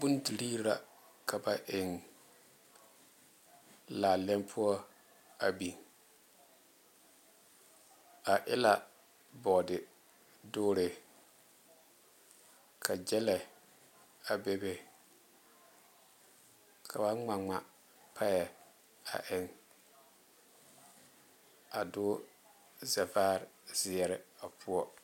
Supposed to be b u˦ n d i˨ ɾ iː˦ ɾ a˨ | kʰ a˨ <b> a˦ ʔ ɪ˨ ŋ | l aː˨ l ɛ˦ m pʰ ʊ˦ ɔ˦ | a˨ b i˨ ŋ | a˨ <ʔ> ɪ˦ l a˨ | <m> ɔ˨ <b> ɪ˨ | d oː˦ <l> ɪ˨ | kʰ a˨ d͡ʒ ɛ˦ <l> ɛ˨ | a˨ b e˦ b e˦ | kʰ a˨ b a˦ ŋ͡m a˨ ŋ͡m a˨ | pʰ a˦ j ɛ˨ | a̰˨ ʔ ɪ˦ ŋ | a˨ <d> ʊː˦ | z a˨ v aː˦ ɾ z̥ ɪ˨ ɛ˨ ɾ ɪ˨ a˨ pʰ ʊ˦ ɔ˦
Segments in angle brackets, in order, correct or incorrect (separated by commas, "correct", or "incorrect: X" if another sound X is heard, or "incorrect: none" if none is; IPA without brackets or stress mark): correct, correct, incorrect: b, incorrect: d, incorrect: ɾ, correct, correct